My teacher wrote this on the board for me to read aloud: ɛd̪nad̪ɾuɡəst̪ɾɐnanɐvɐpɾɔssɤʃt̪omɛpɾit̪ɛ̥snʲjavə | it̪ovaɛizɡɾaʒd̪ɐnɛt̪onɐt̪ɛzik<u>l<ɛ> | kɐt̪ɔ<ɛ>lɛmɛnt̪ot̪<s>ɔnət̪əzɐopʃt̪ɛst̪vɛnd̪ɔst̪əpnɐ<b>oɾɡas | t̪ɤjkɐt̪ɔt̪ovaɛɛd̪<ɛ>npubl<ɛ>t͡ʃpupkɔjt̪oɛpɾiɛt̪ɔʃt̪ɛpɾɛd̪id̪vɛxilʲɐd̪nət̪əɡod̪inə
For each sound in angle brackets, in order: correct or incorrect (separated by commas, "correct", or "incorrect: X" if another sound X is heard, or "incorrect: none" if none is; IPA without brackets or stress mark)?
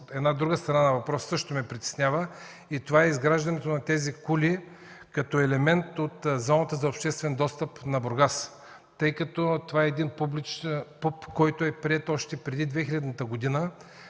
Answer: correct, incorrect: i, correct, incorrect: z, correct, incorrect: i, incorrect: i